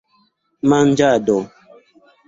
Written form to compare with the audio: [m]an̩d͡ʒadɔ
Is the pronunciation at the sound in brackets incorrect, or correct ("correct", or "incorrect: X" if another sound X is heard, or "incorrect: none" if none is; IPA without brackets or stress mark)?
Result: correct